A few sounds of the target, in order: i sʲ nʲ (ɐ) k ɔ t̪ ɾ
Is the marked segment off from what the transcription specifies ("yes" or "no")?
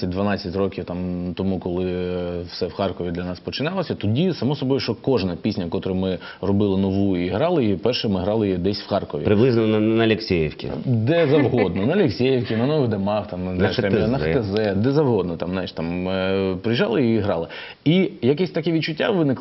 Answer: no